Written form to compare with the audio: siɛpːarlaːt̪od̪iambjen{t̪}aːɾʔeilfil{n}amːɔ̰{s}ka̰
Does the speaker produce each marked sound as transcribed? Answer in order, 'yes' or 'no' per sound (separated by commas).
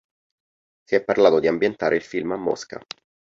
yes, no, yes